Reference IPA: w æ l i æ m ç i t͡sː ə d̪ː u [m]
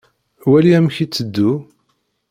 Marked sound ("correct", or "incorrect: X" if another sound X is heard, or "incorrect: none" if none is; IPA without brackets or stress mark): incorrect: none